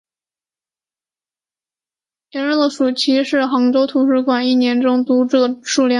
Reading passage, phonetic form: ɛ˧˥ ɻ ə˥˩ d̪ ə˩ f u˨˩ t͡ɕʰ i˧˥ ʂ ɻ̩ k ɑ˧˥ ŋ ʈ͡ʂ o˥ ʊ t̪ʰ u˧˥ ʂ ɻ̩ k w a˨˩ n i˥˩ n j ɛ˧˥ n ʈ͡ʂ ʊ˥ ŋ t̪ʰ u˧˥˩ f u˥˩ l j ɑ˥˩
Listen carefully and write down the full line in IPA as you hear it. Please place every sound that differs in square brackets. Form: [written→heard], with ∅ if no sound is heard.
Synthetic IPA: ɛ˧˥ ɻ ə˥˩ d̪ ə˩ [f→ʂ] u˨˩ t͡ɕʰ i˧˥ ʂ ɻ̩ [k→x] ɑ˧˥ ŋ ʈ͡ʂ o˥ ʊ t̪ʰ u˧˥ ʂ ɻ̩ k w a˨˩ n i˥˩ n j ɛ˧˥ n ʈ͡ʂ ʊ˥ ŋ [t̪ʰ→t̪] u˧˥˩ [f→ʂ] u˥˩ l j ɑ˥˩